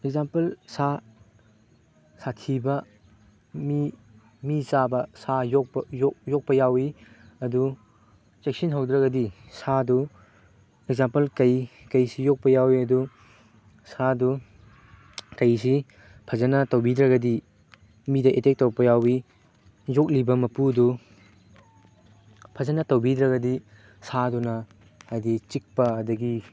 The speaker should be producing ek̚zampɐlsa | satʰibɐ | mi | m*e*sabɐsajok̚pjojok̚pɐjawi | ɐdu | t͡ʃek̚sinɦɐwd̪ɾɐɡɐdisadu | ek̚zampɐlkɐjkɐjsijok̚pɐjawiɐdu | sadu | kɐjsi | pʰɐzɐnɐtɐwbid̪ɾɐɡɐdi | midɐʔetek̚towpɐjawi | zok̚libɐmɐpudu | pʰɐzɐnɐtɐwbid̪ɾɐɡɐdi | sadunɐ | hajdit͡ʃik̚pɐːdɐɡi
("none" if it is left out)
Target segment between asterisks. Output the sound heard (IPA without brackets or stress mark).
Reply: i